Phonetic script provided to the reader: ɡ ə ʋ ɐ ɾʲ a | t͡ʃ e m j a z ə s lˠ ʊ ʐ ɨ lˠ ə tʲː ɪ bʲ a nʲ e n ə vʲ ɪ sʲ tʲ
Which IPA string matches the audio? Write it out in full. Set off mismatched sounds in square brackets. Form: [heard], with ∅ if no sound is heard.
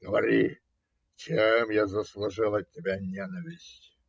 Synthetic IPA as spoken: ɡ ə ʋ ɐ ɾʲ [i] | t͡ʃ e m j a z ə s lˠ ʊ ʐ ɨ lˠ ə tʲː ɪ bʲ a nʲ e n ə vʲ ɪ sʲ tʲ